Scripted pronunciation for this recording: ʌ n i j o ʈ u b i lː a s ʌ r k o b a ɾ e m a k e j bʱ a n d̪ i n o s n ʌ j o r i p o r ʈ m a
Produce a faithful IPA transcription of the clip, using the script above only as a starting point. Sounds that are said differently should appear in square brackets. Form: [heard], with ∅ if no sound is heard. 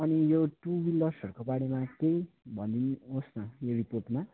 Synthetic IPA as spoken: ʌ n i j o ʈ u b i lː [ʌ] s ʌ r k o b a [ɽ] e m a k e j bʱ [ʌ] n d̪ i n o s n ʌ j o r i p o r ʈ m a